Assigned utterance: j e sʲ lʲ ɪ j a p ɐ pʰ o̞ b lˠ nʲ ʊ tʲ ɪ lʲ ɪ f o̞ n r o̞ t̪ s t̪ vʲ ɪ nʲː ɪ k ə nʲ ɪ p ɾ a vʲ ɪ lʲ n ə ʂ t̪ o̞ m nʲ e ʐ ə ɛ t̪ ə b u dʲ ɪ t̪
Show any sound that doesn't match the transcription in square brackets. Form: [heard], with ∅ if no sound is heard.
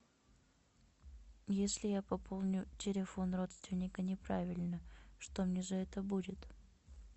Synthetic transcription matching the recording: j e sʲ lʲ ɪ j a p ɐ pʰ o̞ [∅] lˠ nʲ ʊ tʲ ɪ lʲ ɪ f o̞ n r o̞ t̪ s t̪ vʲ ɪ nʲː ɪ k ə nʲ ɪ p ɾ a vʲ ɪ lʲ n ə ʂ t̪ o̞ m nʲ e ʐ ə ɛ t̪ ə b u dʲ ɪ t̪